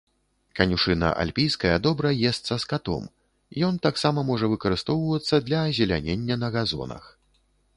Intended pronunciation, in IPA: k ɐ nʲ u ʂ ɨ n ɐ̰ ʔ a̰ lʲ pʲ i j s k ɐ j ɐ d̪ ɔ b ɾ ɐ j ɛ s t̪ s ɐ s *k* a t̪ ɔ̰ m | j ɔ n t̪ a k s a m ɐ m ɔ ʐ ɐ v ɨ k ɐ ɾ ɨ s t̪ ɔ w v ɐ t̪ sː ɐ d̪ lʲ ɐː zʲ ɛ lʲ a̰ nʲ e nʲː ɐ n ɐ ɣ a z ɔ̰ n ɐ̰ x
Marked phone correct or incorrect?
correct